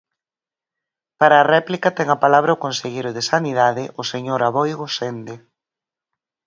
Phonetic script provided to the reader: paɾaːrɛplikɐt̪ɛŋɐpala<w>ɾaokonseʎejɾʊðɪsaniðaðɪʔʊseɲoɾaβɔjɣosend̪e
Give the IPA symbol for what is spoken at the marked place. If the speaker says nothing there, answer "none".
β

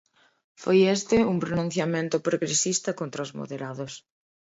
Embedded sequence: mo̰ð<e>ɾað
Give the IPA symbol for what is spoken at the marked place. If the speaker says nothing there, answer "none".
e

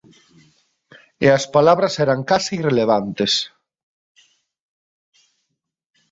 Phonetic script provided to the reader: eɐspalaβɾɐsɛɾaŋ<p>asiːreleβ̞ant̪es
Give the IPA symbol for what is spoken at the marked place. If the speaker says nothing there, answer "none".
k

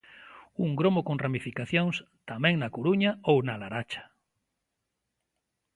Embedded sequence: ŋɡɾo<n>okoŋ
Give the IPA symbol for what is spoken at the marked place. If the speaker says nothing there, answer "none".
m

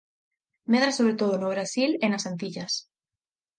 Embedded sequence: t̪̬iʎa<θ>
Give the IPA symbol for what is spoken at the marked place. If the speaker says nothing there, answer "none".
s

